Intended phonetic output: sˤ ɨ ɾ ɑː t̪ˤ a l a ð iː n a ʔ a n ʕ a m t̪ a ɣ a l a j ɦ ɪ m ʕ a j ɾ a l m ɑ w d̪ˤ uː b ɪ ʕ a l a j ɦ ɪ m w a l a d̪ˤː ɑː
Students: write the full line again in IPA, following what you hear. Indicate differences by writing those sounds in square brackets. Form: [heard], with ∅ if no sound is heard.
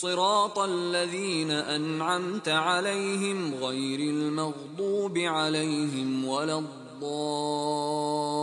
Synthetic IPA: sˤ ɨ ɾ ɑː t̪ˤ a [lː] a ð iː n a ʔ a n ʕ a m t̪ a [ʕ] a l a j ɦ ɪ m [ɣ] a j ɾ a l m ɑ [ɣ] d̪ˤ uː b ɪ ʕ a l a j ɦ ɪ m w a l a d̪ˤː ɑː